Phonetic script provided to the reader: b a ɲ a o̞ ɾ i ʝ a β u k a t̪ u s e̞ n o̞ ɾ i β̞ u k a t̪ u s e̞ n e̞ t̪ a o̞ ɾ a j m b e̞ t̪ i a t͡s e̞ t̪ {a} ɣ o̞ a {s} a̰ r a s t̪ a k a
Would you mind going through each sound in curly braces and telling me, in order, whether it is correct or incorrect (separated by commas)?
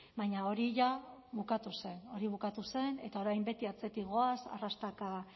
incorrect, correct